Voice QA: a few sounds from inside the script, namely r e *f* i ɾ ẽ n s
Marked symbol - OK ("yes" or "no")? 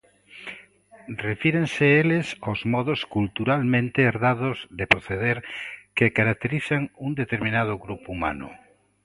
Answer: yes